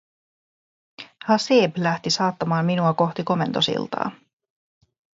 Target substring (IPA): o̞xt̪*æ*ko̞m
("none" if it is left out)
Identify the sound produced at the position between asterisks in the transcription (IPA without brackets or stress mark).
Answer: i